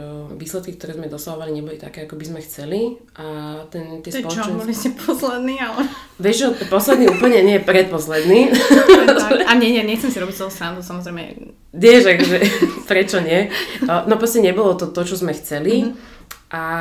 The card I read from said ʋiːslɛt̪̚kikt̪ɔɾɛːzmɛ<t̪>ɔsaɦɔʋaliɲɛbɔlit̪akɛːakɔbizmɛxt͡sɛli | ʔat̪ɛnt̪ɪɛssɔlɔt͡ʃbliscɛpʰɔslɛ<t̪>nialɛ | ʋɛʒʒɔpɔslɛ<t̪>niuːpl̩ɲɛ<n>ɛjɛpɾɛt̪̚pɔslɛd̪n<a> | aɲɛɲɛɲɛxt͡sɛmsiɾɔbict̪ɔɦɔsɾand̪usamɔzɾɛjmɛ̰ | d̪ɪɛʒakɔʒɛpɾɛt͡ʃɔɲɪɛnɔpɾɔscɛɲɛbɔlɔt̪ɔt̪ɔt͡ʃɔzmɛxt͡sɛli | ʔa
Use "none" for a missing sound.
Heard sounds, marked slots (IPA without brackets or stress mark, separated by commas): d̪, d̪, d̪, ɲ, i